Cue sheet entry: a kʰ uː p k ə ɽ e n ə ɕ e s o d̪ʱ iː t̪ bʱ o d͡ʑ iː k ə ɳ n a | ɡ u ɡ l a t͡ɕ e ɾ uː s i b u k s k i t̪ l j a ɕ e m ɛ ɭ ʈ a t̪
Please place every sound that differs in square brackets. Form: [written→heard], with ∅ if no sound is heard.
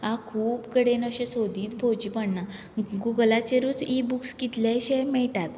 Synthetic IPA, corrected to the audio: a kʰ uː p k ə ɽ e n ə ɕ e s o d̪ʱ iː t̪ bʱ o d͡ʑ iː [k→p] ə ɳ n a | ɡ u ɡ l a t͡ɕ e ɾ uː [s→t͡s] i b u k s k i t̪ l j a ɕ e m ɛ ɭ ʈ a t̪